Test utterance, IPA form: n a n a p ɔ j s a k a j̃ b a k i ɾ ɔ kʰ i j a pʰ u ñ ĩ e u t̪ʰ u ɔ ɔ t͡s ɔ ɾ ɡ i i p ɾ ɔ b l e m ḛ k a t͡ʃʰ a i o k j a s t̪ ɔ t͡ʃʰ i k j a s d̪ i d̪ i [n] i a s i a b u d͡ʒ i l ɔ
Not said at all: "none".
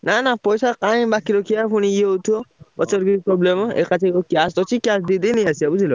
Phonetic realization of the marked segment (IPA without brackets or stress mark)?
n